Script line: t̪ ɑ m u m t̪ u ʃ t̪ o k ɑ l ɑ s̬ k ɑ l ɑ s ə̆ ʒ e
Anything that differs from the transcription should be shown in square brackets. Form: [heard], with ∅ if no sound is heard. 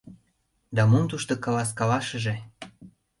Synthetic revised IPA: [d̪] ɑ m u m t̪ u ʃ t̪ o k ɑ l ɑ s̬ k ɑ l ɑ [ʃ] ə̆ ʒ e